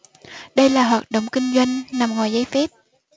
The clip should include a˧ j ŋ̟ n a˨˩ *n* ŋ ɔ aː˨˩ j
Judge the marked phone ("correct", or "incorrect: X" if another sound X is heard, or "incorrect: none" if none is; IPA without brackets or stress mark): incorrect: m